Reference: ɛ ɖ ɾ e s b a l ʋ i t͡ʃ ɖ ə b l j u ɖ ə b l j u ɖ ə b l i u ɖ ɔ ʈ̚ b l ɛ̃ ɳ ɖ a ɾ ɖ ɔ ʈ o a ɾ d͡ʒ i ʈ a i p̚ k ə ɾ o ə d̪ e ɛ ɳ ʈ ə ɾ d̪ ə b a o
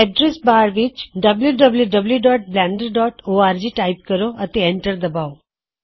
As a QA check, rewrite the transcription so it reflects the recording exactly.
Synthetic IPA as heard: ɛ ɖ ɾ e s b a ɾ ʋ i t͡ʃ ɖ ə b l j u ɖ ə b l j u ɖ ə b l j u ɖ ɔ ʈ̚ b l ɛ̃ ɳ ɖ ə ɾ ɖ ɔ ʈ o a ɾ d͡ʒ i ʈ a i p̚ k ə ɾ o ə t̪ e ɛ ɳ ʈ ə ɾ d̪ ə b a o